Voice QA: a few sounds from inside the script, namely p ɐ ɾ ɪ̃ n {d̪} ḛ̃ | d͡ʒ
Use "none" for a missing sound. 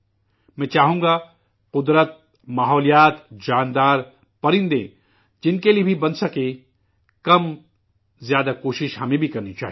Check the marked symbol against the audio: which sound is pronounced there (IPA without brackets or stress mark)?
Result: d̪